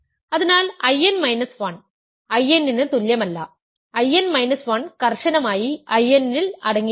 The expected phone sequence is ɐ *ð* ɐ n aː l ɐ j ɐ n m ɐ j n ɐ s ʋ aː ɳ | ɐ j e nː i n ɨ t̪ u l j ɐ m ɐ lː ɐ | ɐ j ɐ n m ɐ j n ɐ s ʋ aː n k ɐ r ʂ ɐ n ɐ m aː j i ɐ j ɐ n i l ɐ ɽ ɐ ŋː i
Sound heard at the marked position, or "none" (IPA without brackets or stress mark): ð